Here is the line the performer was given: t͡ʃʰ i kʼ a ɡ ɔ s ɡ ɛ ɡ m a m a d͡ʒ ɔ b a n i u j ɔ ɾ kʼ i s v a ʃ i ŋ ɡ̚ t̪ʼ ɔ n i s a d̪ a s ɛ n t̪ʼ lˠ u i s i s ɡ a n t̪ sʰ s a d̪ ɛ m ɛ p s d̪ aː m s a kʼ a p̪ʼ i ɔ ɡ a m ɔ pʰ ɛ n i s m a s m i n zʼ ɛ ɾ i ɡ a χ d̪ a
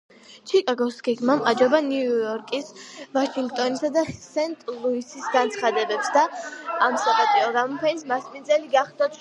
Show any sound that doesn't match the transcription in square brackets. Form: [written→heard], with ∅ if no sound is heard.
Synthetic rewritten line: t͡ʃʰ i kʼ a ɡ ɔ s ɡ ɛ ɡ m a m a d͡ʒ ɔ b a n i u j ɔ ɾ kʼ i s v a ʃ i ŋ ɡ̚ t̪ʼ ɔ n i s a d̪ a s ɛ n t̪ʼ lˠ u i s i s ɡ a n t̪ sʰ [s→χ] a d̪ ɛ [m→b] ɛ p s d̪ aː m s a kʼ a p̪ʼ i ɔ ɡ a m ɔ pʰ ɛ n i s m a s m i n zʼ ɛ [ɾ→l] i ɡ a χ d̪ a